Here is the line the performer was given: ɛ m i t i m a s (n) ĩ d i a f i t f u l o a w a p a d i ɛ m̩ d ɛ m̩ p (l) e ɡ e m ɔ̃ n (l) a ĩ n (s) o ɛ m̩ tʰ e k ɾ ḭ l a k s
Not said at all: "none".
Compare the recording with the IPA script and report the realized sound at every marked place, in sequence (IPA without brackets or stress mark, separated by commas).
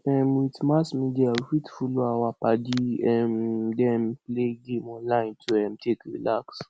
m, l, l, t